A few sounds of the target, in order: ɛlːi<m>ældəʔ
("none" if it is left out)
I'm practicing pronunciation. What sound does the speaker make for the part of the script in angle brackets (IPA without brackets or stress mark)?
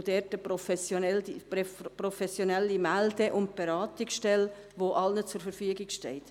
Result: m